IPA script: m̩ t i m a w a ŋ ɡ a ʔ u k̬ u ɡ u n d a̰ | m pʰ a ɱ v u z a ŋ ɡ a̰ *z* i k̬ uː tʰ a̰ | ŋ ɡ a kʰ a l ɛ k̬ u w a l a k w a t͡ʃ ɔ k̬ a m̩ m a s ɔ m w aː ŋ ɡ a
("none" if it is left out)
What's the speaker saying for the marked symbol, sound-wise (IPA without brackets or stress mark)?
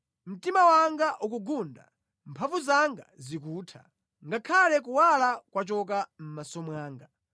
z